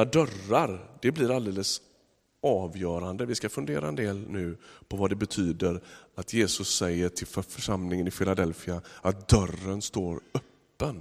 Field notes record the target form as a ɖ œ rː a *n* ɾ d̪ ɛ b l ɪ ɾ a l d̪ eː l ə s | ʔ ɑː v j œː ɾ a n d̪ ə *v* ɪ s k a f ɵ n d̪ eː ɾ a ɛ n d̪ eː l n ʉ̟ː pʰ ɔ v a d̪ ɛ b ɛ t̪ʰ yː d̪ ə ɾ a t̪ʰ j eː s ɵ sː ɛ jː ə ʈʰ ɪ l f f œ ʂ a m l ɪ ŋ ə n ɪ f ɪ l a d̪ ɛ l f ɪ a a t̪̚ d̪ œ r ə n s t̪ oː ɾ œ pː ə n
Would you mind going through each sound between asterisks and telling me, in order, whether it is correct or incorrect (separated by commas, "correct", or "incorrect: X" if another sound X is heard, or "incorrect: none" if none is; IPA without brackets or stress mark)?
incorrect: none, correct